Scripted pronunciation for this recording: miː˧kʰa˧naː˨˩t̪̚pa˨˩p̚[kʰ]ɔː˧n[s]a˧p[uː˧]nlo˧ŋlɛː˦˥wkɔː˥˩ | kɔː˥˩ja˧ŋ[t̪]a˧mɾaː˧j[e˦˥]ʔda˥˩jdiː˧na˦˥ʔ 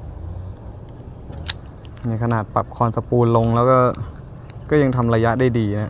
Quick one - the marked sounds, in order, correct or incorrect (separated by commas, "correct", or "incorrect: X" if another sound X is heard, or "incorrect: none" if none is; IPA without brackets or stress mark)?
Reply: correct, correct, correct, incorrect: t̪ʰ, incorrect: a˦˥